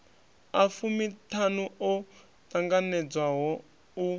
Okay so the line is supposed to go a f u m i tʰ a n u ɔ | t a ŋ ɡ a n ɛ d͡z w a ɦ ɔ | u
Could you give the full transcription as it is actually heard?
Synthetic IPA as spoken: a f u m i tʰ a n u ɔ | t a ŋ ɡ a n ɛ d͡z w a ɦ ɔ | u